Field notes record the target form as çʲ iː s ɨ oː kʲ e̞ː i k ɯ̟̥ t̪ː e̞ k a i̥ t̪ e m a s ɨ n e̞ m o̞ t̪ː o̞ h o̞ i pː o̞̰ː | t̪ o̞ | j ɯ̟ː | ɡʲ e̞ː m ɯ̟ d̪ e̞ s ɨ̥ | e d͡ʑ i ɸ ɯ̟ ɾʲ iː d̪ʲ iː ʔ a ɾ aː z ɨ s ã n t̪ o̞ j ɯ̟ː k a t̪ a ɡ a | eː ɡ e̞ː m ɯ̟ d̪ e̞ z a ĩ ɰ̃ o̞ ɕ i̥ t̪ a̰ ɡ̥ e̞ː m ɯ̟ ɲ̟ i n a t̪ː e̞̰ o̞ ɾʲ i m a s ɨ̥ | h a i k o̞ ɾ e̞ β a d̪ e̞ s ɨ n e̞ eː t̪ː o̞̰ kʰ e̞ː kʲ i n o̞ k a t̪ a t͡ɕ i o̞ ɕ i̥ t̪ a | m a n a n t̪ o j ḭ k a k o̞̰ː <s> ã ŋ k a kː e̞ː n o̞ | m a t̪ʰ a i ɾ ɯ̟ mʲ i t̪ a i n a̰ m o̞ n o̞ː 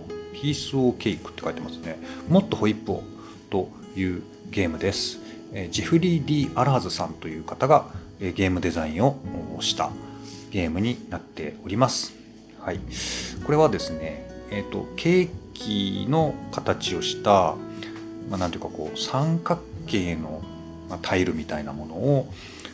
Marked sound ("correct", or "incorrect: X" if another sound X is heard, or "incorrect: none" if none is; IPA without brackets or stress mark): correct